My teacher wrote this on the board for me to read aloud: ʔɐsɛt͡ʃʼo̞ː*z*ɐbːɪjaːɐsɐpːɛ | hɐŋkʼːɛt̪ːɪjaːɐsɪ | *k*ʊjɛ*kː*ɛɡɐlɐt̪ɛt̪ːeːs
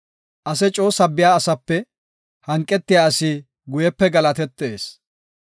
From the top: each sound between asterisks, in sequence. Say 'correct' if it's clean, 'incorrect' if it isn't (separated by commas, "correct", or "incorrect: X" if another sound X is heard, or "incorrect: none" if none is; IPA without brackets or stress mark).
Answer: incorrect: s, incorrect: ɡ, incorrect: pː